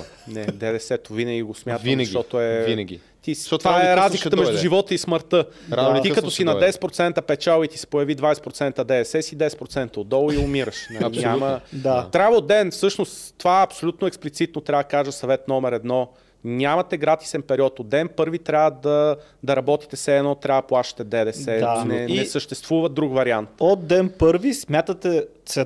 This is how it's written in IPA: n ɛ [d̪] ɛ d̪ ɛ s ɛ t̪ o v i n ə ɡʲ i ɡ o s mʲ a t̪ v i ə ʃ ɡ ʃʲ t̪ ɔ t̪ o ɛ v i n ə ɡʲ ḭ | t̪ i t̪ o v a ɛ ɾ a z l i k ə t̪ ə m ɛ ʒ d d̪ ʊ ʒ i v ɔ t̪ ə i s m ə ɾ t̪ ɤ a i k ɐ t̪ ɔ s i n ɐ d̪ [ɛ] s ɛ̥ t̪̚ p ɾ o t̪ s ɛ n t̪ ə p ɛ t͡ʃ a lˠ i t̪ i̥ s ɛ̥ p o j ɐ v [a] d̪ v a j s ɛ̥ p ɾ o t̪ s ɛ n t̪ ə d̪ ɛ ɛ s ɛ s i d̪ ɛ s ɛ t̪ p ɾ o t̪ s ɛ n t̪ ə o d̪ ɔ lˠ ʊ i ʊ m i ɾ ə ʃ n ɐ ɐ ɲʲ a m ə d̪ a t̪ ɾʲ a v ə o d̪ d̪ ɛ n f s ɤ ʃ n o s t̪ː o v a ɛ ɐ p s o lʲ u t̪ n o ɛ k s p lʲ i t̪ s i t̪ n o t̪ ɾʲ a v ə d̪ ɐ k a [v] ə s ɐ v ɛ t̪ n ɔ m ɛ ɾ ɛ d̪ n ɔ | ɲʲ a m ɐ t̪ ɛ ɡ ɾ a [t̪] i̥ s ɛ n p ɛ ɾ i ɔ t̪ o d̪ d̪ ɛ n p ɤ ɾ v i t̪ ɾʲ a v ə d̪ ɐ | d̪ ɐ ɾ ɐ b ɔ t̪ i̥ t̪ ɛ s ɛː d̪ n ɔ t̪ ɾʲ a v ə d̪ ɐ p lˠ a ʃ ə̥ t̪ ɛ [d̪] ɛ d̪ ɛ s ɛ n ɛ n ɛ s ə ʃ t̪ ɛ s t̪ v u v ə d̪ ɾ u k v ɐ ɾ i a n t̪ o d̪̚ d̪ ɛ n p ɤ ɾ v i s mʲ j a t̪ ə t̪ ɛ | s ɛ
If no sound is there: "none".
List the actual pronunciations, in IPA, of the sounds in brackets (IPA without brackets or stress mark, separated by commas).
d̪, ɛ, i, ʒ, t̪, d̪